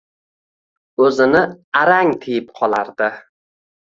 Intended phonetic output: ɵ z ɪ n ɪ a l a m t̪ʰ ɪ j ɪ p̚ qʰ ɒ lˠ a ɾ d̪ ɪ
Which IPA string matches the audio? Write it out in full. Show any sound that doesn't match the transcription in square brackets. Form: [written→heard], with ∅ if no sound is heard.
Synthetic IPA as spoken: ɵ z ɪ n ɪ a [l→ɾ] a [m→ŋ] t̪ʰ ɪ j ɪ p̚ qʰ ɒ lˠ a ɾ d̪ ɪ